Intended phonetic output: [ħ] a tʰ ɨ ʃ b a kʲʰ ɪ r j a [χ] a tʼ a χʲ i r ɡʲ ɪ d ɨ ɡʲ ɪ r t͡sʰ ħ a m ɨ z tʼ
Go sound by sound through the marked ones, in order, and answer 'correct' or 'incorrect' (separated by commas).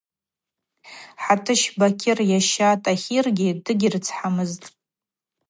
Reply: correct, incorrect